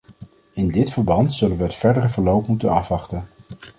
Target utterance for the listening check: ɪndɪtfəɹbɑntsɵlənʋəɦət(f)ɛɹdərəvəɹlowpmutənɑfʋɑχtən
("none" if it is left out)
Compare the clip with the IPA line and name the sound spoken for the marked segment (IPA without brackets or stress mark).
f